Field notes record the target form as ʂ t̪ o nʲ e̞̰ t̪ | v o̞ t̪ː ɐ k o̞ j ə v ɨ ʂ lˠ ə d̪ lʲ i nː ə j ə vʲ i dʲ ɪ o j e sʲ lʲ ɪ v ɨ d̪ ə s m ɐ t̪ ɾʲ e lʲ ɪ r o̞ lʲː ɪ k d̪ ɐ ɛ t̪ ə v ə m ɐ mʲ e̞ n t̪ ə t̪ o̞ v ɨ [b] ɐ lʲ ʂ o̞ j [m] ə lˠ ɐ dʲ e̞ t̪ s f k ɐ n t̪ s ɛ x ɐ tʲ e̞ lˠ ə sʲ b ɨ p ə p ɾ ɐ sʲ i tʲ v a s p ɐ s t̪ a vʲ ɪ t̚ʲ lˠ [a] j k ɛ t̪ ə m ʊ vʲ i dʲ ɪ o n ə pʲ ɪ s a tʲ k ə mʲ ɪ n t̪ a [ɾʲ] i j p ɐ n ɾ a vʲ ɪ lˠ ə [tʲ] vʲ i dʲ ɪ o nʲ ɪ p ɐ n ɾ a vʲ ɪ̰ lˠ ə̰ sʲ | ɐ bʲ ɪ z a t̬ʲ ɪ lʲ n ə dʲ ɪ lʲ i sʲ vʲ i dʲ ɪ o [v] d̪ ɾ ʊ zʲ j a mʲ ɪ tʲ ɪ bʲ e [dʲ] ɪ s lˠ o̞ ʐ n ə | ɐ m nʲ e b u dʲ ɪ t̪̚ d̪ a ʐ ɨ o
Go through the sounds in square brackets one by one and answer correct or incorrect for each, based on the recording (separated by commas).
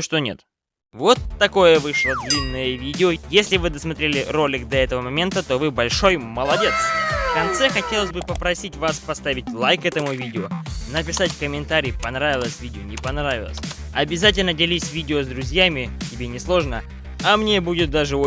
correct, correct, correct, correct, incorrect, incorrect, incorrect